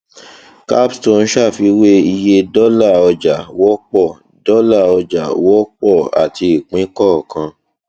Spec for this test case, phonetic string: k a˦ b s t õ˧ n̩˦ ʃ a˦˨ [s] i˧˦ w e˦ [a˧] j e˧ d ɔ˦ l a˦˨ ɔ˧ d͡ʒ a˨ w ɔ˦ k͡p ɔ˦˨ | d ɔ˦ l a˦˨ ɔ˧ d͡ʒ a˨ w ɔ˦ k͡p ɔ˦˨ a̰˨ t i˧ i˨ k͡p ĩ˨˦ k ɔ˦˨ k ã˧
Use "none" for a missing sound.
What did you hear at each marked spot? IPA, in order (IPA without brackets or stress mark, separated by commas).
f, i˧